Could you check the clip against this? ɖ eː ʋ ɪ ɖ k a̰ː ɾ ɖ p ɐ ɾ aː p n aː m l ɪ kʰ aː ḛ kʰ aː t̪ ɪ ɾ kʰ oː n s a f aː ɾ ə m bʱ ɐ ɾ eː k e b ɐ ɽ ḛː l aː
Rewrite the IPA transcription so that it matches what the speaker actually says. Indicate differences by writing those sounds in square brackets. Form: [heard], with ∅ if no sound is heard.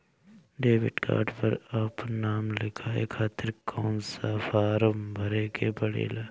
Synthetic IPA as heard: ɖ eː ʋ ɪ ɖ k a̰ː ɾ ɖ p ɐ ɾ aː p n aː m l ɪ kʰ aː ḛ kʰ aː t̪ ɪ ɾ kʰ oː n s a f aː ɾ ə m bʱ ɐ ɾ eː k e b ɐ ɽ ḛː l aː